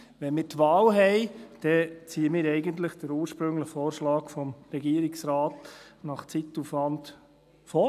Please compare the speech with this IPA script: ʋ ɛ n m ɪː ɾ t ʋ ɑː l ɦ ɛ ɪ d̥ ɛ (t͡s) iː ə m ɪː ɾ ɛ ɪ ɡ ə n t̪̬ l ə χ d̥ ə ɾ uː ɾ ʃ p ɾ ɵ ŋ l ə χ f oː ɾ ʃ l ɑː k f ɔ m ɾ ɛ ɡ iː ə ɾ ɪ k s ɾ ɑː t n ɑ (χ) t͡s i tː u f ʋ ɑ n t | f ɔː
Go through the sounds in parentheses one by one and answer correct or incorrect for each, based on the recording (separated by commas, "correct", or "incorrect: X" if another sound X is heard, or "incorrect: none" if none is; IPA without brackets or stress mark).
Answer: correct, correct